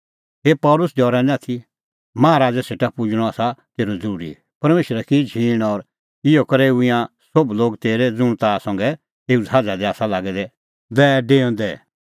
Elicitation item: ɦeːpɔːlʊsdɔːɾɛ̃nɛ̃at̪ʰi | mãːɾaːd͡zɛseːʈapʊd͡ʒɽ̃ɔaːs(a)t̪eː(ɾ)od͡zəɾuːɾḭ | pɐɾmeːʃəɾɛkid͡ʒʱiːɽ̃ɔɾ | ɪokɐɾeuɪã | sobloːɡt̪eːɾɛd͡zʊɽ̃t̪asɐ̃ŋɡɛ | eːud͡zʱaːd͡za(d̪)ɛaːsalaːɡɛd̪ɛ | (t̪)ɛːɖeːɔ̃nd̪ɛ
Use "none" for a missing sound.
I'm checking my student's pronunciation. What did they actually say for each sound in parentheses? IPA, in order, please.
a, ɾ, d̪, d̪

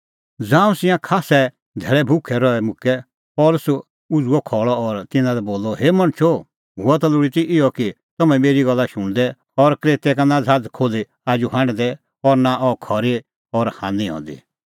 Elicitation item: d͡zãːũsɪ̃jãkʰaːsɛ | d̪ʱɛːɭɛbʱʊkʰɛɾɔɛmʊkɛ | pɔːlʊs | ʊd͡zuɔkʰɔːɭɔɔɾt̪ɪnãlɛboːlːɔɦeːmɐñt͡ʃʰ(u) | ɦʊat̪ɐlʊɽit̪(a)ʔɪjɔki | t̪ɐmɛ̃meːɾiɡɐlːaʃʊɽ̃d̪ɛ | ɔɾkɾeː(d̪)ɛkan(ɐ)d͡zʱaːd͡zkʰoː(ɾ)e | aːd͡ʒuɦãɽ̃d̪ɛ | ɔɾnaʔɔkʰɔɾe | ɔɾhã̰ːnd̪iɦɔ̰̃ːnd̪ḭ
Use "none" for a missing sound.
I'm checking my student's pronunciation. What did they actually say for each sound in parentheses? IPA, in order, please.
o, i, t̪, a, l

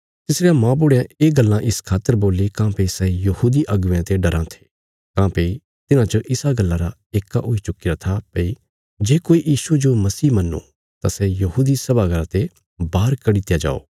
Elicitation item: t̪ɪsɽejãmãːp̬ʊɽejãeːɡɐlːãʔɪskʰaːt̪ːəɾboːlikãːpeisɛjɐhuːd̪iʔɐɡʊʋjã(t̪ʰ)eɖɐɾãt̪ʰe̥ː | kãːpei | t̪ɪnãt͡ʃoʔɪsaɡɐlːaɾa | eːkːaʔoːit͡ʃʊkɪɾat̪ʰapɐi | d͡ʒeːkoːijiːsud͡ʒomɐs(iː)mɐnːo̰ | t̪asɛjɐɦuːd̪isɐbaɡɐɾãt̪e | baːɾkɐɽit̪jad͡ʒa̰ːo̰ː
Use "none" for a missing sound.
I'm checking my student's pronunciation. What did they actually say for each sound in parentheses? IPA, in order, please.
t̪, iː

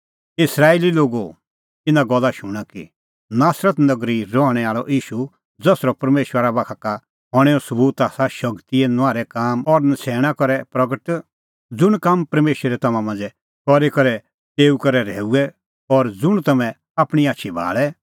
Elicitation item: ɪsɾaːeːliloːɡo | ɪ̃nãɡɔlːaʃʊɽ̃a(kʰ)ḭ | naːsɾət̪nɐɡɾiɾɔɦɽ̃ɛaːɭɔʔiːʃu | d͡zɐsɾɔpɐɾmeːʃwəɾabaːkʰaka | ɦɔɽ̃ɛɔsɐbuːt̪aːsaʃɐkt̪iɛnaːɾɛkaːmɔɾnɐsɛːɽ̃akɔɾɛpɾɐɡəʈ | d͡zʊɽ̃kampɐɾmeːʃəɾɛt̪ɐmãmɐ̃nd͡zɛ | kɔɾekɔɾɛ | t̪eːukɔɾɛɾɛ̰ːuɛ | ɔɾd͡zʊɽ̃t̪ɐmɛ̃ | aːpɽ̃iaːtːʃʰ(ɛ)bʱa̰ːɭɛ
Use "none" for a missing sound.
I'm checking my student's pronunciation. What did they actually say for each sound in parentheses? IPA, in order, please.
k, i

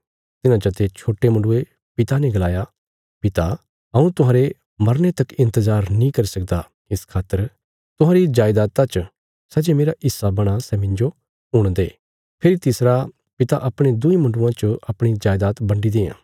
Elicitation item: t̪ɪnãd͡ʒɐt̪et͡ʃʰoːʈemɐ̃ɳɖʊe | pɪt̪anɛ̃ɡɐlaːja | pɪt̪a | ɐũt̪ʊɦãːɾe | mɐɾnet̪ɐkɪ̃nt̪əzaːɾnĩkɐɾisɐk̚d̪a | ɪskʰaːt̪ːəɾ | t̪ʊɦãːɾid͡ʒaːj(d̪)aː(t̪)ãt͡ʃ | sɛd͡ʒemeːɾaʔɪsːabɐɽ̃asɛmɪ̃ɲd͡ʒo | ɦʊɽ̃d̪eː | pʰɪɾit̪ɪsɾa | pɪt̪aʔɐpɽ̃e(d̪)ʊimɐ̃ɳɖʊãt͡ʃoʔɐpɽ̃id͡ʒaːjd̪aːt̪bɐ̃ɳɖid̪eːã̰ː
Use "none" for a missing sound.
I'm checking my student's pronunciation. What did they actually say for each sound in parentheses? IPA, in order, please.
d̪, t̪, d̪

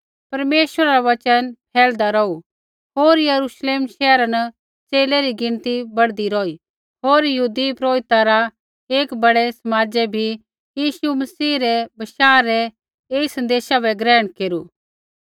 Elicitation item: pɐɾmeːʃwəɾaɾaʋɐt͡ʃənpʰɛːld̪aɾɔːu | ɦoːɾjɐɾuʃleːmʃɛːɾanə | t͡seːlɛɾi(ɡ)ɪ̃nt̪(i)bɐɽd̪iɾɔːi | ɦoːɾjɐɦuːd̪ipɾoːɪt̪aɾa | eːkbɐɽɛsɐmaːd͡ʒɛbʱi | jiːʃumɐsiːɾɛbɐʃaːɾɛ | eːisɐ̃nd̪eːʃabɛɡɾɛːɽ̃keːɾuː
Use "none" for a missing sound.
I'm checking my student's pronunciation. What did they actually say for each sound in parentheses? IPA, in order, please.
ɡ, i

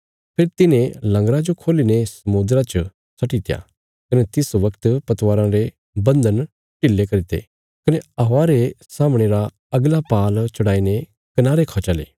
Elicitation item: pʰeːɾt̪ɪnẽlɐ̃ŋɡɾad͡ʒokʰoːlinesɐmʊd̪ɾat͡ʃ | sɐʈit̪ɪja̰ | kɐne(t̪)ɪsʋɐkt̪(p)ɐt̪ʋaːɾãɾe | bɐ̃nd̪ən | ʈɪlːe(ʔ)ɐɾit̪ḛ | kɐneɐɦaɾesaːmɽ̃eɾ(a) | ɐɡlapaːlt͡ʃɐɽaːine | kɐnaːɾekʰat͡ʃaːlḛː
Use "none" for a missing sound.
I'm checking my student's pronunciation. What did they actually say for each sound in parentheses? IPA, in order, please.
t̪, p, k, a

